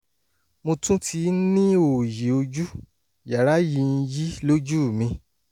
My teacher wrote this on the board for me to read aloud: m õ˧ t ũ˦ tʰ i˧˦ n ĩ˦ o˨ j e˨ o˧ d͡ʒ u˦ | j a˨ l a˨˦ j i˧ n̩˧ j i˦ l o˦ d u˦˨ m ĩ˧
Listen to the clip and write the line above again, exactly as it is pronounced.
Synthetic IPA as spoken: m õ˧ t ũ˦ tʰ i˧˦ n ĩ˦ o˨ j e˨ o˧ d͡ʒ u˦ | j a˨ ɾ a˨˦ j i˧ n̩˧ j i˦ l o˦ d͡ʒ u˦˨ m ĩ˧